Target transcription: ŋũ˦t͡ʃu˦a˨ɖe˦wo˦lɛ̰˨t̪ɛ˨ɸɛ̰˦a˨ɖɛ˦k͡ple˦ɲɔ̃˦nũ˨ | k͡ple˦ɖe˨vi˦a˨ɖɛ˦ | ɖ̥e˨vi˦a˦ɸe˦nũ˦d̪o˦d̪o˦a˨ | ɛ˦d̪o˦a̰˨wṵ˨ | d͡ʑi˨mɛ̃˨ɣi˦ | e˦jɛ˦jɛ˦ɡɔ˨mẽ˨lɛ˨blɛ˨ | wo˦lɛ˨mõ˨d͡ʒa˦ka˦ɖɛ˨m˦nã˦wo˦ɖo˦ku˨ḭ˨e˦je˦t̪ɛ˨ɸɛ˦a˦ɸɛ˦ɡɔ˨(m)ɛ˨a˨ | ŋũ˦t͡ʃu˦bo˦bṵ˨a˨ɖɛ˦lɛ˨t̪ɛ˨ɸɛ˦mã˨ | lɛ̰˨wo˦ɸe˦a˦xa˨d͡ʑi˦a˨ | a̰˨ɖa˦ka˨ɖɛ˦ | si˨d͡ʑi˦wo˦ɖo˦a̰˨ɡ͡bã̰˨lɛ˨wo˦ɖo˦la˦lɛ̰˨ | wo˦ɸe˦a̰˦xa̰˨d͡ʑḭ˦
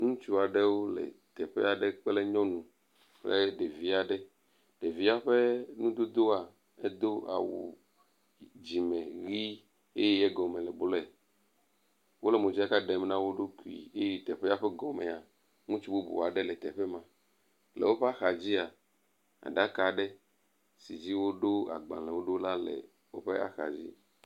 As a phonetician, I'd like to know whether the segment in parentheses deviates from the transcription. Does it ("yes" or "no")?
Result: no